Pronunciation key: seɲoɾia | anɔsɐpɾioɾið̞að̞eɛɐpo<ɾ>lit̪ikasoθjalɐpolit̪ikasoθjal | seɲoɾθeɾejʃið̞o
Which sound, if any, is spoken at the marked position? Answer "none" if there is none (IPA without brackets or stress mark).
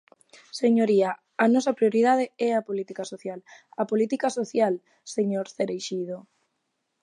none